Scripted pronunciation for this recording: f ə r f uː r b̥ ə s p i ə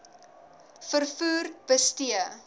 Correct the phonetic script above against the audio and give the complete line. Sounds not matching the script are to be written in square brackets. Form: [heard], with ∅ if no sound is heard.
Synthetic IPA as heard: f ə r f uː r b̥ ə s [t] i ə